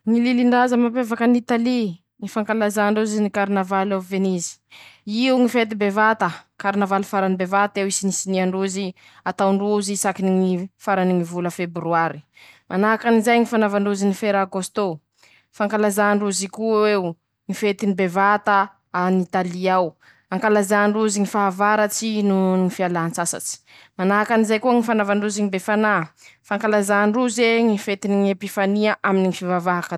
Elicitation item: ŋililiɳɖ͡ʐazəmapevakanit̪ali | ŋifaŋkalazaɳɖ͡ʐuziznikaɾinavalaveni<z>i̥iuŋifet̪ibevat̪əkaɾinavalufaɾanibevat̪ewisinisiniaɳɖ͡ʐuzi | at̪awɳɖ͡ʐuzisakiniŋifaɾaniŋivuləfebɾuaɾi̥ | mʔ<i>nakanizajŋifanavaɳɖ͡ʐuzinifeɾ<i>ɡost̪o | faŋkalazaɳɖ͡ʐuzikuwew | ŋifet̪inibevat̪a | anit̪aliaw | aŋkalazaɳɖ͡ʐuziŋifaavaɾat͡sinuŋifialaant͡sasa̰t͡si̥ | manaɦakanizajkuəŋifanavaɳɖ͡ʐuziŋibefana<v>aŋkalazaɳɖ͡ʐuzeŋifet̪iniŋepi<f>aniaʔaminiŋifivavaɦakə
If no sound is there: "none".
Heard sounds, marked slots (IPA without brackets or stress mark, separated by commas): z, a, a, f, f